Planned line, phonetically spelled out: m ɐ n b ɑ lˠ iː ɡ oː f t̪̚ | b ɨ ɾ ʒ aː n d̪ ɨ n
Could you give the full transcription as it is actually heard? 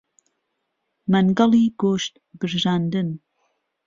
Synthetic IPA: m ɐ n ɡ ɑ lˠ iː ɡ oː ʃ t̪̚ | b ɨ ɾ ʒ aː n d̪ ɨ n